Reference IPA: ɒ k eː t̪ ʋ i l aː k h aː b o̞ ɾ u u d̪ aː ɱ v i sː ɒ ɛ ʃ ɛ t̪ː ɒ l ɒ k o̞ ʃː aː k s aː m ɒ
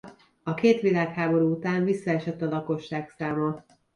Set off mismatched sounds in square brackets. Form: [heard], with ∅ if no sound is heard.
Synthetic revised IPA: ɒ k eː t̪ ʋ i l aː k h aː b o̞ ɾ u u [t̪] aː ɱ v i sː ɒ ɛ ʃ ɛ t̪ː ɒ l ɒ k o̞ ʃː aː k s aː m ɒ